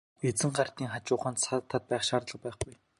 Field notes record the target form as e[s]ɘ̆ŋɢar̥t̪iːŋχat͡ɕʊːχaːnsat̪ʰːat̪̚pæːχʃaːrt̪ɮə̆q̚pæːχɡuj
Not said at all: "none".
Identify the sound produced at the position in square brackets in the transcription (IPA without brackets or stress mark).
t͡s